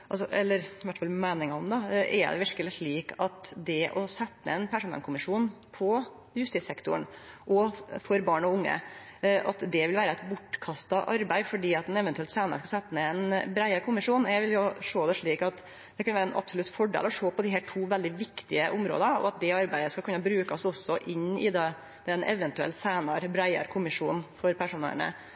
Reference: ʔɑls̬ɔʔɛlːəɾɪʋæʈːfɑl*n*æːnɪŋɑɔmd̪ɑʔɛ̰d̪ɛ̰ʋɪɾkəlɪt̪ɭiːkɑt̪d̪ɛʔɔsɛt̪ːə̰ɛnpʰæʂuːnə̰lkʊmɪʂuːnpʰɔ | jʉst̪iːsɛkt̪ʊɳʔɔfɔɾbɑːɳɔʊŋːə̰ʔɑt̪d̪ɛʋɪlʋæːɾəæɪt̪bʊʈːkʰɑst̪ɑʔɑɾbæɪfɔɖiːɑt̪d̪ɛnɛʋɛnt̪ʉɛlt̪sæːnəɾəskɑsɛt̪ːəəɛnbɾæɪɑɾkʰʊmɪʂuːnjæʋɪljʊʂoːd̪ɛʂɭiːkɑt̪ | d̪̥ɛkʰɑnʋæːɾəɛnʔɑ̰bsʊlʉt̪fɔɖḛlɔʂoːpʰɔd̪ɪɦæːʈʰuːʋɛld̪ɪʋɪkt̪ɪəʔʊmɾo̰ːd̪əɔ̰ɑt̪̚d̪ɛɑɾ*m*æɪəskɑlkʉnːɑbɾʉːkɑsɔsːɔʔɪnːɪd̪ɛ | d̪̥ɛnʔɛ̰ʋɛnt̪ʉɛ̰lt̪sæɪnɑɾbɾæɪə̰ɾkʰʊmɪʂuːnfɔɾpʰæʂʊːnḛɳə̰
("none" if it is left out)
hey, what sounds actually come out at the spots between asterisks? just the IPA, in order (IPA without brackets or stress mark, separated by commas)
m, b